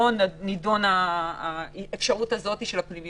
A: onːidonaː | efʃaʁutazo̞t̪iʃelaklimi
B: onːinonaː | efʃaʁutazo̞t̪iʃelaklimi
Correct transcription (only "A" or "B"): A